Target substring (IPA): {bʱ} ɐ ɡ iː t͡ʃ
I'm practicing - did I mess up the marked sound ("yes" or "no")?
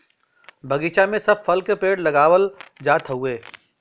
no